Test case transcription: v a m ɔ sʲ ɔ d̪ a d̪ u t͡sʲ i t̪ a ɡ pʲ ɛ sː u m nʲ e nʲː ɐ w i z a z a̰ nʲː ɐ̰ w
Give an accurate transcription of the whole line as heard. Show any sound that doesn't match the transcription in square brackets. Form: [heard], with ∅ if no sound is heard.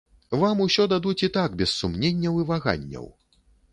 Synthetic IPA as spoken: v a m [u] sʲ ɔ d̪ a d̪ u t͡sʲ i t̪ a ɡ [bʲ] ɛ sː u m nʲ e nʲː ɐ w i [v] a [ɣ] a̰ nʲː ɐ̰ w

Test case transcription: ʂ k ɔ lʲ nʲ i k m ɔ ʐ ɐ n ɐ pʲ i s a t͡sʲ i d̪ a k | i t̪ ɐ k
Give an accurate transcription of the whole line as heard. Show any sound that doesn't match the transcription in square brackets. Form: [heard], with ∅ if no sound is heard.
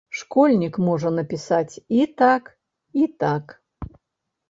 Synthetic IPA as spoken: ʂ k ɔ lʲ nʲ i k m ɔ ʐ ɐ n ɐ pʲ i s a t͡sʲ i [t̪] a k | i t̪ [a] k

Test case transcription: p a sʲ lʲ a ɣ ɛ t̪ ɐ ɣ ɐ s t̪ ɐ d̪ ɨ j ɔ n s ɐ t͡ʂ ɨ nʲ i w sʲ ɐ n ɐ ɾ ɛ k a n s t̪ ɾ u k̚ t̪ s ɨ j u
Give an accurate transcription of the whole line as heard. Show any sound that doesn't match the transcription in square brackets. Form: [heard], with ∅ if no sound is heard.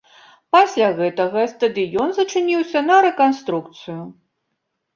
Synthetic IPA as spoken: p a sʲ lʲ a ɣ ɛ t̪ ɐ ɣ ɐ s t̪ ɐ d̪ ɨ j ɔ n [z] ɐ t͡ʂ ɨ nʲ i w sʲ ɐ n ɐ ɾ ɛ k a n s t̪ ɾ u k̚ t̪ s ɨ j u

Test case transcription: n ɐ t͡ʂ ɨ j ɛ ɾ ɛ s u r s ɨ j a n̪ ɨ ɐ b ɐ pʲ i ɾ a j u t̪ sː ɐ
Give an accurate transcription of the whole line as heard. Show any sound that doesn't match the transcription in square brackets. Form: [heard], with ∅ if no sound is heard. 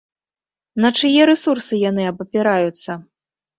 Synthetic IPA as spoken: n ɐ t͡ʂ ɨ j ɛ ɾ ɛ s u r s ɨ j a n̪ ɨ ɐ b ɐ pʲ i ɾ a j u t̪ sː ɐ

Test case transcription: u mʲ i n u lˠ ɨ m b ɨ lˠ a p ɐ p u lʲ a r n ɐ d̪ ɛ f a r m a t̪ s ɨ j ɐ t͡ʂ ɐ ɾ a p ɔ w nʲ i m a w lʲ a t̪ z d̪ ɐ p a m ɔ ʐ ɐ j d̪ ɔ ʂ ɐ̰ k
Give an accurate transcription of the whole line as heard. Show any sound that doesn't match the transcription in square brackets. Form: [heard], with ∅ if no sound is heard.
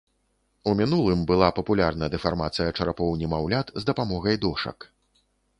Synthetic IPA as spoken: u mʲ i n u lˠ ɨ m b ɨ lˠ a p ɐ p u lʲ a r n ɐ d̪ ɛ f a r m a t̪ s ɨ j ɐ t͡ʂ ɐ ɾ a p ɔ w nʲ i m a w lʲ a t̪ z d̪ ɐ p a m ɔ [ɣ] ɐ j d̪ ɔ ʂ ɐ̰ k

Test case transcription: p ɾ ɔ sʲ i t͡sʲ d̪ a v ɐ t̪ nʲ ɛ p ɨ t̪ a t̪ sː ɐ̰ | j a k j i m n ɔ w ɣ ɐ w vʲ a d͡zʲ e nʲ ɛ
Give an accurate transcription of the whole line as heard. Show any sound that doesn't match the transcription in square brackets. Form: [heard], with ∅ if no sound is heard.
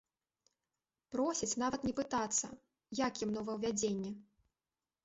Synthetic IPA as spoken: p ɾ ɔ sʲ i t͡sʲ [n̪] a v ɐ t̪ nʲ ɛ p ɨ t̪ a t̪ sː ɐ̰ | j a k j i m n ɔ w [v] ɐ w vʲ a d͡zʲ e [nʲː] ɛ

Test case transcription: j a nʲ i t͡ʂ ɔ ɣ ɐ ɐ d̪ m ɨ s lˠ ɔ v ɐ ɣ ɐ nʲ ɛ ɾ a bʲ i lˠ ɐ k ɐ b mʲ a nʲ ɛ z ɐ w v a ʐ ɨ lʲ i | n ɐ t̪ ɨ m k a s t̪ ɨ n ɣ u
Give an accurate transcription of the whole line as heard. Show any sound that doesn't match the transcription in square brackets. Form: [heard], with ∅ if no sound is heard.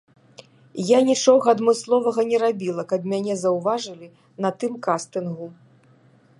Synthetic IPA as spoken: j a nʲ i t͡ʂ ɔ ɣ ɐ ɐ d̪ m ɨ s lˠ ɔ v ɐ ɣ ɐ nʲ ɛ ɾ a bʲ i lˠ ɐ k ɐ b mʲ a nʲ ɛ z ɐ w v a ʐ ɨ lʲ i | n ɐ t̪ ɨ m k a s t̪ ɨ n ɣ u

